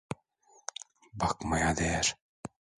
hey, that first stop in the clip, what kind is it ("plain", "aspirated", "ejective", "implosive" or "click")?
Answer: plain